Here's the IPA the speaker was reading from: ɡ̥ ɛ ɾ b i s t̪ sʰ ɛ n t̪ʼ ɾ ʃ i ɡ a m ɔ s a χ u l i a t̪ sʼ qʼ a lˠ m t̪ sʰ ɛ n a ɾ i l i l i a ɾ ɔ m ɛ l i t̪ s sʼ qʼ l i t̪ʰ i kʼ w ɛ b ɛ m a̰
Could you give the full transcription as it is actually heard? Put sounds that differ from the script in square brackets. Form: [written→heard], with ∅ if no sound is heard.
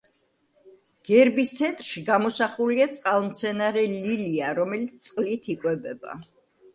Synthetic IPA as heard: ɡ̥ ɛ ɾ b i s t̪ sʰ ɛ n t̪ʼ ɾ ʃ i ɡ a m ɔ s a χ u l i a t̪ sʼ qʼ a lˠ m t̪ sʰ ɛ n a ɾ [i→ɛ] l i l i a ɾ ɔ m ɛ l i t̪ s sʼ qʼ l i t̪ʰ i kʼ w ɛ b ɛ [m→b] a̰

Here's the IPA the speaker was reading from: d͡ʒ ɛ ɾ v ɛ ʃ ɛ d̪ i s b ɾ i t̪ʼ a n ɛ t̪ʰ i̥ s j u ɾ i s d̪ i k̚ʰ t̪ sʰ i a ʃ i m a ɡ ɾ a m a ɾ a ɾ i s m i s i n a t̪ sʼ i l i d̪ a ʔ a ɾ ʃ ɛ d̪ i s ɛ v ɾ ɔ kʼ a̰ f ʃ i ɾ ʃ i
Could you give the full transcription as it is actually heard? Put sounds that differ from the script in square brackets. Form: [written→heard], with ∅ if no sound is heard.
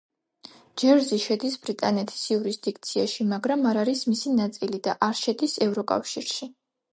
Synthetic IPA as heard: d͡ʒ ɛ ɾ [v→z] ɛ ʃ ɛ d̪ i s b ɾ i t̪ʼ a n ɛ t̪ʰ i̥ s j u ɾ i s d̪ i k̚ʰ t̪ sʰ i a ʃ i m a ɡ ɾ a m a ɾ a ɾ i s m i s i n a t̪ sʼ i l i d̪ a ʔ a ɾ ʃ ɛ d̪ i s ɛ v ɾ ɔ kʼ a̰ f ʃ i ɾ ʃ i

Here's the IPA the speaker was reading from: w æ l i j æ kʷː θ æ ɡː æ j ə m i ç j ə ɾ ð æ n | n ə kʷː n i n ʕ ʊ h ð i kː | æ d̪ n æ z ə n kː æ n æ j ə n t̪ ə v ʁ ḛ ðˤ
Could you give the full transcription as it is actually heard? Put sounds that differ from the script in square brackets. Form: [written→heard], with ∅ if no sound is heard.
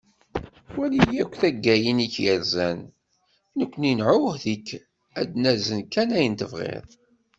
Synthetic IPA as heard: w æ l i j æ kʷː θ æ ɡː æ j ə [m→n] i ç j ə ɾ [ð→z] æ n | n ə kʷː n i n ʕ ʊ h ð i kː | æ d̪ n æ z ə n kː æ n æ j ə n t̪ ə v ʁ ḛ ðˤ

